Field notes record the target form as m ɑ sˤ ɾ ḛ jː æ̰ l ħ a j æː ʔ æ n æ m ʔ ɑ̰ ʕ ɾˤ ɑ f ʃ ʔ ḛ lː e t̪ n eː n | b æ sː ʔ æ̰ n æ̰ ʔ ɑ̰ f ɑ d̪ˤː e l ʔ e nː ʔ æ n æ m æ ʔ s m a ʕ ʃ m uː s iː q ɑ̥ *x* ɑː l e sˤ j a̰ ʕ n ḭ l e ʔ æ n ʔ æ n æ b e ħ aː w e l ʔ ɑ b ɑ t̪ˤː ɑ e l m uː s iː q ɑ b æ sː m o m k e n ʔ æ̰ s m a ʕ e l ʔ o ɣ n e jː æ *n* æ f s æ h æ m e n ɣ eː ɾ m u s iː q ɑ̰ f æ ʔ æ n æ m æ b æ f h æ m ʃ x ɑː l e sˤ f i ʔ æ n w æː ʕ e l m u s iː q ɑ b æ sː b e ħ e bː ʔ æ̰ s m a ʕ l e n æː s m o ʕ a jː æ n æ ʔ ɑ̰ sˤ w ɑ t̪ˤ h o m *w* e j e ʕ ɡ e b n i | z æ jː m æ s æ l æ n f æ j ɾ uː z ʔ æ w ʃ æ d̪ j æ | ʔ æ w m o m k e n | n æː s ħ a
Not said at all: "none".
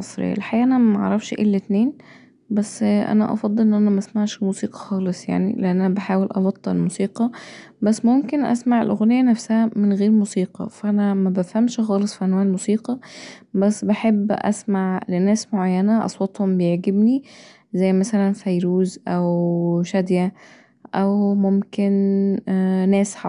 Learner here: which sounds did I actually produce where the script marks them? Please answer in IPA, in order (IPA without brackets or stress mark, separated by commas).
x, n, b